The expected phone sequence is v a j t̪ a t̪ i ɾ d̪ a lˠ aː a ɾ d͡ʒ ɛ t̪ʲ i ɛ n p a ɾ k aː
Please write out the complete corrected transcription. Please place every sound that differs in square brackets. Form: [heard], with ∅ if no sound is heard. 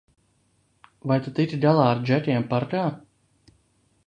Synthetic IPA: v a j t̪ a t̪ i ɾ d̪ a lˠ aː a ɾ d͡ʒ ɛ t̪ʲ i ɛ [m] p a ɾ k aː